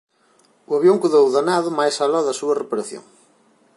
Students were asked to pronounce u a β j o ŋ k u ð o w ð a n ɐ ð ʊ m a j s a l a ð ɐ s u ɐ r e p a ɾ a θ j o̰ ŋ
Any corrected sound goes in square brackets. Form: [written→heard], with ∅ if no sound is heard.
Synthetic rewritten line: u a β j o ŋ k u ð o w ð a n [ɐ→a] ð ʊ m a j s a l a ð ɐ s u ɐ r e p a ɾ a θ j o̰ ŋ